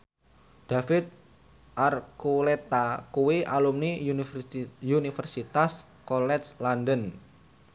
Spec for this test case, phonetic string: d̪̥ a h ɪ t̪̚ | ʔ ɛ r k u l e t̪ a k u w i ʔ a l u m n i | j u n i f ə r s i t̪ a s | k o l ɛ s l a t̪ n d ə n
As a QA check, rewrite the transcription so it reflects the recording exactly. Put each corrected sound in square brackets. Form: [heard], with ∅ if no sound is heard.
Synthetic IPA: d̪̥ a [f] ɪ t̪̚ | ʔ [a] r k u l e t̪ a k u w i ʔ a l u m n i | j u n i f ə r s i t̪ a s | k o l ɛ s l a [∅] n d ə n